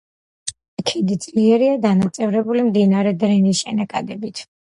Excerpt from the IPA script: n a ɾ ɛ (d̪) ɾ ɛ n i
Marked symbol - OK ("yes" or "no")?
yes